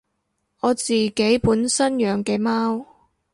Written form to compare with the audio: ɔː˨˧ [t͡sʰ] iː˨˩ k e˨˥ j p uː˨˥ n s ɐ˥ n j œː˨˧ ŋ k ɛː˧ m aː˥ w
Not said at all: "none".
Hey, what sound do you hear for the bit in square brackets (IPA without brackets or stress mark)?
t͡s